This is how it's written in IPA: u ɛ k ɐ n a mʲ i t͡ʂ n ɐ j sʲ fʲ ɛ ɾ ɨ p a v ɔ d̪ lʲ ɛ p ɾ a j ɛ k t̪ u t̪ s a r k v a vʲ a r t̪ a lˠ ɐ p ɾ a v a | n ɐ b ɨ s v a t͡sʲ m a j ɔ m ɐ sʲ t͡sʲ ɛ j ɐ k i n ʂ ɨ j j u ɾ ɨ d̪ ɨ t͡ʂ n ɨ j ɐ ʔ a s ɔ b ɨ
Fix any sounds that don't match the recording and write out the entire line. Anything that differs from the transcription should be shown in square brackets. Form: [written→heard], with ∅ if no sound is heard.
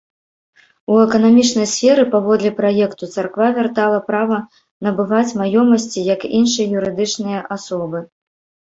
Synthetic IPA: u ɛ k ɐ n a mʲ i t͡ʂ n ɐ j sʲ fʲ ɛ ɾ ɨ p a v ɔ d̪ lʲ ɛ p ɾ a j ɛ k t̪ u t̪ s a r k v a vʲ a r t̪ a lˠ ɐ p ɾ a v [a→ɐ] | n ɐ b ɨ [s→∅] v a t͡sʲ m a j ɔ m ɐ sʲ t͡sʲ [ɛ→i] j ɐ k i n ʂ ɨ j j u ɾ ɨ d̪ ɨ t͡ʂ n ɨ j ɐ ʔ a s ɔ b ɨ

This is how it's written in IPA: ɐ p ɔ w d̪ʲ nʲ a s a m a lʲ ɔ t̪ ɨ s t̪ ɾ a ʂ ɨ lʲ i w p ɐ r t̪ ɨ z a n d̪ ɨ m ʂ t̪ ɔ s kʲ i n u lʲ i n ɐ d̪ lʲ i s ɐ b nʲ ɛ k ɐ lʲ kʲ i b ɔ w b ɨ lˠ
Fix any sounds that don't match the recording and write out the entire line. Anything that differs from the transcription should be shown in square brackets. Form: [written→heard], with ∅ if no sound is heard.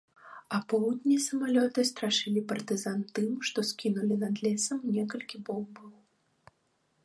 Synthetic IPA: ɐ p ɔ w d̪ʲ nʲ [a→i] s [a→ɐ] m a lʲ ɔ t̪ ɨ s t̪ ɾ a ʂ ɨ lʲ i [w→∅] p ɐ r t̪ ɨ z a n [d̪→t̪] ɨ m ʂ t̪ ɔ s kʲ i n u lʲ i n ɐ d̪ lʲ [i→ɛ] s ɐ [b→m] nʲ ɛ k ɐ lʲ kʲ i b ɔ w b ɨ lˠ

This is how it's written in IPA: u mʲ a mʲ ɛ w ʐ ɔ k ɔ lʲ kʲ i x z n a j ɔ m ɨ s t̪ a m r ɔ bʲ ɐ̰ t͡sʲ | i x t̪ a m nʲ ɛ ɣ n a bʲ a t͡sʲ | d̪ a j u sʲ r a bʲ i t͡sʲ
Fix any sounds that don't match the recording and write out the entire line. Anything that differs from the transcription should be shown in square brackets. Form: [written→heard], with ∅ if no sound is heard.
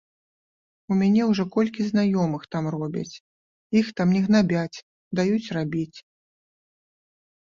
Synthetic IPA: u mʲ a [mʲ→nʲ] ɛ w ʐ ɔ k ɔ lʲ kʲ i [x→∅] z n a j ɔ m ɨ [s→x] t̪ a m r ɔ bʲ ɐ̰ t͡sʲ | i x t̪ a m nʲ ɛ ɣ n a bʲ a t͡sʲ | d̪ a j u [sʲ→t͡sʲ] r a bʲ i t͡sʲ

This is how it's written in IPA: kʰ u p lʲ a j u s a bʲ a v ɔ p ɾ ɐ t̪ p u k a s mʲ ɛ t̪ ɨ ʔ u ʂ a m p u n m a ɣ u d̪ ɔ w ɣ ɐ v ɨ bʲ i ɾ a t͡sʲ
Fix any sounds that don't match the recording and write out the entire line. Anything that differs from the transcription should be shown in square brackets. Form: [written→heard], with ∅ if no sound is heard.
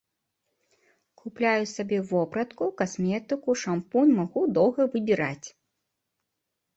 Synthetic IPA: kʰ u p lʲ a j u s a bʲ [a→ɛ] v ɔ p ɾ ɐ t̪ [p→k] u k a s mʲ ɛ t̪ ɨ [ʔ→k] u ʂ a m p u n m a ɣ u d̪ ɔ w ɣ ɐ v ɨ bʲ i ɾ a t͡sʲ

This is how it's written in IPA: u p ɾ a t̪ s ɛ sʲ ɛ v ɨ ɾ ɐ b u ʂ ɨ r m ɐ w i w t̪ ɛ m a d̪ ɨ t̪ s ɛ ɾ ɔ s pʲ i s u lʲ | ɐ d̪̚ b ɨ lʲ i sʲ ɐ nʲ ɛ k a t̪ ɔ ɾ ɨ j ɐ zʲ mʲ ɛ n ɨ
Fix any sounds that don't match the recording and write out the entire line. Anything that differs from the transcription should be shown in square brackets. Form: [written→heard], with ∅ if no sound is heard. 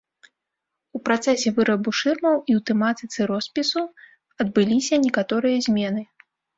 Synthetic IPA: u p ɾ a t̪ s ɛ sʲ ɛ v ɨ ɾ ɐ b u ʂ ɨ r m ɐ w i w t̪ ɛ m a [d̪→t̪] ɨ t̪ s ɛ ɾ ɔ s pʲ i s u [lʲ→∅] | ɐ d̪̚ b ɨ lʲ i sʲ ɐ nʲ ɛ k a t̪ ɔ ɾ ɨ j ɐ zʲ mʲ ɛ n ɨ

